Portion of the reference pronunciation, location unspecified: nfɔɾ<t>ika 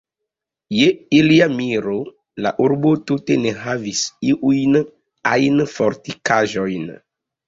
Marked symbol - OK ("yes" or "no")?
yes